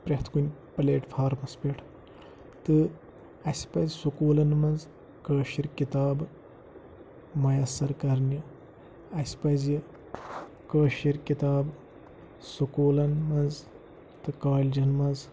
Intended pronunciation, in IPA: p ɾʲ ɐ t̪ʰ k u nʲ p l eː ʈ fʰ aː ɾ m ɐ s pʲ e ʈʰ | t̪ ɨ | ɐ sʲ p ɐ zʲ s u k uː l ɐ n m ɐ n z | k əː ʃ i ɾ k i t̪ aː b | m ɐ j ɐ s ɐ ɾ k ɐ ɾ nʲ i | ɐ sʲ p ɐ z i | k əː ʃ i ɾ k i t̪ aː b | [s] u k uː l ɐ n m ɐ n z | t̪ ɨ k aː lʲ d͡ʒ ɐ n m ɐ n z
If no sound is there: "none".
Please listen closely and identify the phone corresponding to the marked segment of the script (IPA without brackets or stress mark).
s